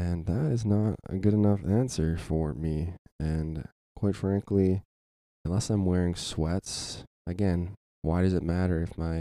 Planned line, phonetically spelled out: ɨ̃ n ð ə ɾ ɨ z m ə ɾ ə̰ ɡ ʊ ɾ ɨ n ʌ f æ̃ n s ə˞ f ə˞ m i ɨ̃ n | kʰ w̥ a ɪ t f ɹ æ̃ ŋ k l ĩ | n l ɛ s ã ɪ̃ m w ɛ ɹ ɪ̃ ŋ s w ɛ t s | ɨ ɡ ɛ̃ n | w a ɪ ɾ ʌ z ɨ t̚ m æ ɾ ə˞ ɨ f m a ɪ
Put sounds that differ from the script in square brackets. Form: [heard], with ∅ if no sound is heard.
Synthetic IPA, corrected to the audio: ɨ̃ n ð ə ɾ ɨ z [n] ə ɾ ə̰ ɡ ʊ ɾ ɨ n ʌ f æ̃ n s ə˞ f ə˞ m i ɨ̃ n | kʰ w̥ a ɪ t f ɹ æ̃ ŋ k l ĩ | n l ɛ s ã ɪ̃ m w ɛ ɹ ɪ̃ ŋ s w ɛ t s | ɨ ɡ ɛ̃ n | w a ɪ ɾ ʌ z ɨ t̚ m æ ɾ ə˞ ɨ f m a ɪ